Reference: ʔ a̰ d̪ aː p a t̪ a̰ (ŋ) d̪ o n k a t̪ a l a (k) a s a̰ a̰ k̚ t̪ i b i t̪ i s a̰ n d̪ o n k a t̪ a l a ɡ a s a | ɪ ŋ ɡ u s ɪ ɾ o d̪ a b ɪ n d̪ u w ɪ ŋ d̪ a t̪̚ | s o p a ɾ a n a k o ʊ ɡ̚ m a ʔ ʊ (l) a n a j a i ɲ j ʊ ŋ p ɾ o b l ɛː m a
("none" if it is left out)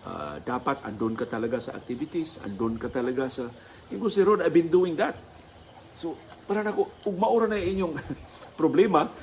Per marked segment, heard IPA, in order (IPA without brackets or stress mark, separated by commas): n, ɡ, ɾ